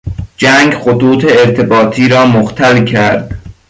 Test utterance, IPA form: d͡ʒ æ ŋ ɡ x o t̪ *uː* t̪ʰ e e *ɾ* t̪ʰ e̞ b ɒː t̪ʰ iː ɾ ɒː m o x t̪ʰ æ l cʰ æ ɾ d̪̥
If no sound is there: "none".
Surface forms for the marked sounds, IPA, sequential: uː, ɾ

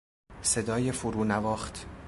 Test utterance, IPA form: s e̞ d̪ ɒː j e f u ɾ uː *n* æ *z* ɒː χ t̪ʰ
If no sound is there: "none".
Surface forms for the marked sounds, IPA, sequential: n, v

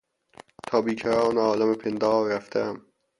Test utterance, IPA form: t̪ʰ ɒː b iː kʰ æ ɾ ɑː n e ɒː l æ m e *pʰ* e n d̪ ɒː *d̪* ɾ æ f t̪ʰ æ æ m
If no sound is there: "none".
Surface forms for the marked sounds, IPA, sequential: pʰ, none

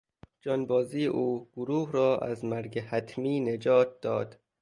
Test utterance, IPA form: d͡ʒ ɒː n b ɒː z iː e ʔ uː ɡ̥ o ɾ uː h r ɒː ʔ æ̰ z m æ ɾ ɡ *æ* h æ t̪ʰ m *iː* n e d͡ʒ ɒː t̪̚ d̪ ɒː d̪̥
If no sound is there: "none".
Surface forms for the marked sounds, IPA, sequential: e, iː

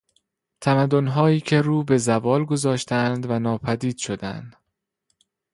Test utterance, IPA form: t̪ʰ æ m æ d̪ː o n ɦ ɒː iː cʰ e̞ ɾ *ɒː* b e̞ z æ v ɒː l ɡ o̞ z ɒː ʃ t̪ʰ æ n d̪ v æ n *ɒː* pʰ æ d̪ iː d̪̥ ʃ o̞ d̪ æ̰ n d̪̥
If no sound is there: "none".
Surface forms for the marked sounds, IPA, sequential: uː, ɒː

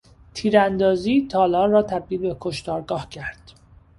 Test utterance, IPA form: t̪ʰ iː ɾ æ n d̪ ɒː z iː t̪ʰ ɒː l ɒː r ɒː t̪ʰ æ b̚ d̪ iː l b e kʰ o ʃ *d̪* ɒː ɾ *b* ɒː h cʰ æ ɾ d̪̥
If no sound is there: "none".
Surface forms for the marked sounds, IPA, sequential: t̪, ɡ

